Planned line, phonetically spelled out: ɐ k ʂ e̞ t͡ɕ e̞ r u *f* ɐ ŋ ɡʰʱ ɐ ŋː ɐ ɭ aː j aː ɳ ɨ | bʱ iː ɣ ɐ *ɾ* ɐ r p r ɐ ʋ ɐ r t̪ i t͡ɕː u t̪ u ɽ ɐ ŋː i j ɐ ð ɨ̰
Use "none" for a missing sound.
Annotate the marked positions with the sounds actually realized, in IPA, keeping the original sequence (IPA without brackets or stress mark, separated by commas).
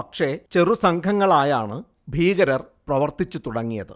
s, ɾ